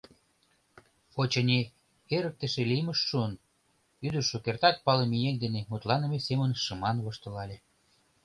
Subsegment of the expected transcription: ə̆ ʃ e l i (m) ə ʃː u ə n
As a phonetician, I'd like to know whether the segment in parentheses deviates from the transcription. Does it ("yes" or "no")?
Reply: no